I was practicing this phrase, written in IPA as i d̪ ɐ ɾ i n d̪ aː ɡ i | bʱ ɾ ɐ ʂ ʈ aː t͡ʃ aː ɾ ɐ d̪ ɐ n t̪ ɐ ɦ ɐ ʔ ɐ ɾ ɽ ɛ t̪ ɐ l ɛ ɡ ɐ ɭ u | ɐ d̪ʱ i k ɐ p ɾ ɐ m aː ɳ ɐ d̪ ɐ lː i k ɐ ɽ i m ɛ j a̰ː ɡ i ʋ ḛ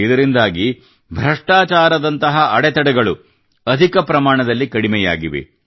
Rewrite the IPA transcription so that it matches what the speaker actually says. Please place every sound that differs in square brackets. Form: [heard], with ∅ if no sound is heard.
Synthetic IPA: i d̪ ɐ ɾ i n d̪ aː ɡ i | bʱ ɾ ɐ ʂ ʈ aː t͡ʃ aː ɾ ɐ d̪ ɐ n t̪ ɐ ɦ ɐ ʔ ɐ [∅] ɽ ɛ t̪ ɐ [ɽ] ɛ ɡ ɐ ɭ u | ɐ d̪ʱ i k ɐ p ɾ ɐ m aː ɳ ɐ d̪ ɐ lː i k ɐ ɽ i m ɛ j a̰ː ɡ i ʋ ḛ